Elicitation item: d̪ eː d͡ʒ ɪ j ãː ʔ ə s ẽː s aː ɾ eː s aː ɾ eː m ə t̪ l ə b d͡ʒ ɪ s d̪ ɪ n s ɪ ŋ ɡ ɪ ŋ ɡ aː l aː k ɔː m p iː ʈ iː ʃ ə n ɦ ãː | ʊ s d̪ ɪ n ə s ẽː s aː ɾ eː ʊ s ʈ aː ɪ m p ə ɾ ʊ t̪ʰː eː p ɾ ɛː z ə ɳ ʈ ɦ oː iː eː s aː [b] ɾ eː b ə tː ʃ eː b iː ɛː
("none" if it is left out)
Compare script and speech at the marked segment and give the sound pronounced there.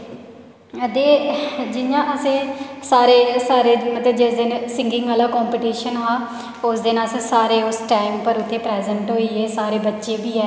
none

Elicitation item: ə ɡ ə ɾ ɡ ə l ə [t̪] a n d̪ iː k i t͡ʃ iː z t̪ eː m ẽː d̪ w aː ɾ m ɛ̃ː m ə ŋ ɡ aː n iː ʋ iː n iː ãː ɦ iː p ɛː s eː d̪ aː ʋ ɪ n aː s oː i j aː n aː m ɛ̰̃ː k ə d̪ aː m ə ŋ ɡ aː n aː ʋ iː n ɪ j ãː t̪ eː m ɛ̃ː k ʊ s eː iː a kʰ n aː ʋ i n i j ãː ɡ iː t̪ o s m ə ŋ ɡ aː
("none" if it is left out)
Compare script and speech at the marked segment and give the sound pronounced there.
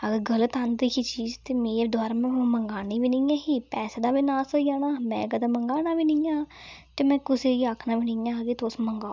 t̪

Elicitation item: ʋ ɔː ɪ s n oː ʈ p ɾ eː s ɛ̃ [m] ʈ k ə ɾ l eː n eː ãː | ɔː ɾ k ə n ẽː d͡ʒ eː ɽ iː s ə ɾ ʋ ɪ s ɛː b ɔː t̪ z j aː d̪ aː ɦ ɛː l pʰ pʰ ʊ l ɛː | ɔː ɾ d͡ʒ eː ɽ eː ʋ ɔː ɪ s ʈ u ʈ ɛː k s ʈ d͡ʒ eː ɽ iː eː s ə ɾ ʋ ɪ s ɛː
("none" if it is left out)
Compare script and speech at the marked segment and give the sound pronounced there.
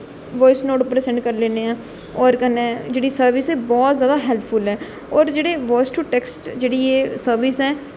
ɳ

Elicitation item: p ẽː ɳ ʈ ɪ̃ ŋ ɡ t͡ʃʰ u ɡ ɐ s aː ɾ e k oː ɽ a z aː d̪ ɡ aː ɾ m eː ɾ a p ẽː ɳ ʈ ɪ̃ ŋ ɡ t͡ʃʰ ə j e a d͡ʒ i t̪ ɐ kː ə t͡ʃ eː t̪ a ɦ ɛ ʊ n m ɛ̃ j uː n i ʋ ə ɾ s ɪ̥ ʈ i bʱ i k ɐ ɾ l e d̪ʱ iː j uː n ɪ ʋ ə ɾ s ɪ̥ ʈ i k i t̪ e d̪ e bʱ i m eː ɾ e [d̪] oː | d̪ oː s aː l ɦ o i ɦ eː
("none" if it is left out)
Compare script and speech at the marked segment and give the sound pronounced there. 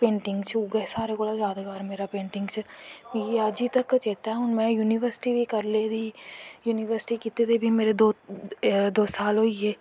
d̪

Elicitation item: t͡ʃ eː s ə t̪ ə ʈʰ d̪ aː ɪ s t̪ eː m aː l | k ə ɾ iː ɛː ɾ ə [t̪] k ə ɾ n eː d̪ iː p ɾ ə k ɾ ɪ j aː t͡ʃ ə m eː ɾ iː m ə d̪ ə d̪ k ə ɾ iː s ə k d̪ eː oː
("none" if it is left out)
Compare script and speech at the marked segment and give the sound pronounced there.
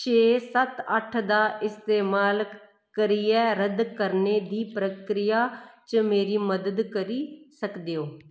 d̪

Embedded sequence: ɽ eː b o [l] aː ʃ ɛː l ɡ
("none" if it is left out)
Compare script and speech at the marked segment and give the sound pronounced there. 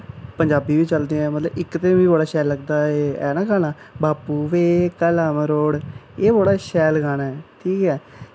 ɽ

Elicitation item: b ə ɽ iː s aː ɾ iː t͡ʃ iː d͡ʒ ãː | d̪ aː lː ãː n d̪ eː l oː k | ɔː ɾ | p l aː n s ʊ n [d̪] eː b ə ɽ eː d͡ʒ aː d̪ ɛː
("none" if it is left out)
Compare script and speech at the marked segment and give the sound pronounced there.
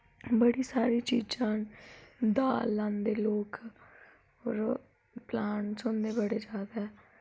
d̪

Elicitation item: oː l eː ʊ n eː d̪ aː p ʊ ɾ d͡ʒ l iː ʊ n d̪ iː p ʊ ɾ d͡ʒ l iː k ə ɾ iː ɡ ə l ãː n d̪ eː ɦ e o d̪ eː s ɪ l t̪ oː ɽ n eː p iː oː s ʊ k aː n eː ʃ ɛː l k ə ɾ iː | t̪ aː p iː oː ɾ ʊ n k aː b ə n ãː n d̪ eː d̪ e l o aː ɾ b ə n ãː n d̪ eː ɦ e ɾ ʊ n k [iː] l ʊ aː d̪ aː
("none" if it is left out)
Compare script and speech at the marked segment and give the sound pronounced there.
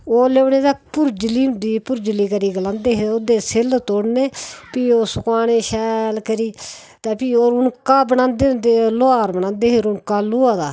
aː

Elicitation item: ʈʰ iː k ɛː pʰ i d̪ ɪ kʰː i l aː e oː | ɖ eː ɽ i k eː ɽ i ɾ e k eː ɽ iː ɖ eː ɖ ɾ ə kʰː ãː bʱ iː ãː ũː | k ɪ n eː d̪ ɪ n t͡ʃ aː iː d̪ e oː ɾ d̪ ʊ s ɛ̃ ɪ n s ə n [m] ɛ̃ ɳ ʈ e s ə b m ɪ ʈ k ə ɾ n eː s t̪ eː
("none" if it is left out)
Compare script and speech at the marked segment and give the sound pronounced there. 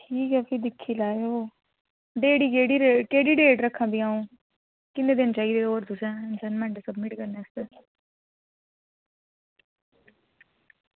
m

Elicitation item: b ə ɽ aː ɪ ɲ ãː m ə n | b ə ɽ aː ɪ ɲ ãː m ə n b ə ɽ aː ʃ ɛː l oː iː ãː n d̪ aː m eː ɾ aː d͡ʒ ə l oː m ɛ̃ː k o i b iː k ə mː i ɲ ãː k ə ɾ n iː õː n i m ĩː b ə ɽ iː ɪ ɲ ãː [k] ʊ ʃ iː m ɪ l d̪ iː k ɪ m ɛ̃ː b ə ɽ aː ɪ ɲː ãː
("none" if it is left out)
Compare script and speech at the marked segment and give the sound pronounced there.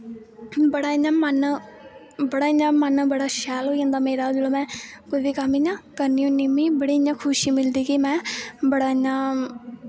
kʰ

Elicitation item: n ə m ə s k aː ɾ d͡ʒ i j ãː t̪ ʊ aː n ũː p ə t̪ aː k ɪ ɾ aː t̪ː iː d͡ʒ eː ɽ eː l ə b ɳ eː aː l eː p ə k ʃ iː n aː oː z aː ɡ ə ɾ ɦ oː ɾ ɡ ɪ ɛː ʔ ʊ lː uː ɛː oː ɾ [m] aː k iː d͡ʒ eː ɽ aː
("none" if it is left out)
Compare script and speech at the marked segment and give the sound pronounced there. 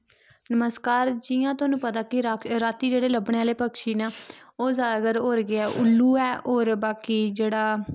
b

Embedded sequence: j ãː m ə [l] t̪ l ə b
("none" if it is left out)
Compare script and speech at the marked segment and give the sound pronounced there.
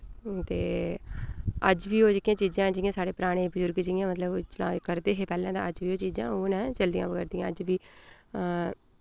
none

